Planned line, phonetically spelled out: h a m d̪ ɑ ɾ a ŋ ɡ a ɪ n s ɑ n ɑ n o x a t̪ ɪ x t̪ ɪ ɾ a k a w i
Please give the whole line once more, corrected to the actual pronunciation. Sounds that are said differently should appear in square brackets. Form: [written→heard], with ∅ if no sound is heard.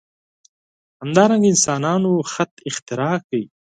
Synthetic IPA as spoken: h a m d̪ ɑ ɾ a ŋ ɡ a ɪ n s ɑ n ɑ n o x a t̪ ɪ x t̪ ɪ ɾ [a→ɑ] k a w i